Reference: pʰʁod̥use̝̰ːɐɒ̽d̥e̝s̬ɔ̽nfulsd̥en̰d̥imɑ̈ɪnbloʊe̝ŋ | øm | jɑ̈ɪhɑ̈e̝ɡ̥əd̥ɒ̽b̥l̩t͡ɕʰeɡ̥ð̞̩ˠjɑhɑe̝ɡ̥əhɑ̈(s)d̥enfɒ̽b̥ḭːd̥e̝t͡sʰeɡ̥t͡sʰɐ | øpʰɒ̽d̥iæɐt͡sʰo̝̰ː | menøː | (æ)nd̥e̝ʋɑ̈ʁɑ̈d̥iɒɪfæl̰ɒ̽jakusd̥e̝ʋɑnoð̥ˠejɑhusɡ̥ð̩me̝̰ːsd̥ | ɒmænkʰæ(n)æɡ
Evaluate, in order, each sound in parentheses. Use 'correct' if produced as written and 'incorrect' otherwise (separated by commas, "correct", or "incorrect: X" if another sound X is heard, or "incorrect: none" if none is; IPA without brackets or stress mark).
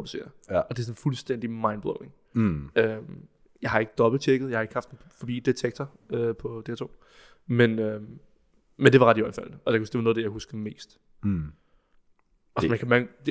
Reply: incorrect: f, incorrect: e, incorrect: m